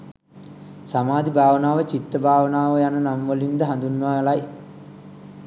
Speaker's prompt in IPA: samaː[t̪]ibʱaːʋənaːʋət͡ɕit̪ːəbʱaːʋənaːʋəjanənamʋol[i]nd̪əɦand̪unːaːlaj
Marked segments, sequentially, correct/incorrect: incorrect, correct

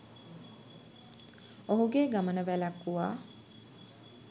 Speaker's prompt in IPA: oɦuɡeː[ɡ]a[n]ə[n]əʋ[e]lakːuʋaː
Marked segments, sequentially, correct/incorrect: correct, incorrect, correct, incorrect

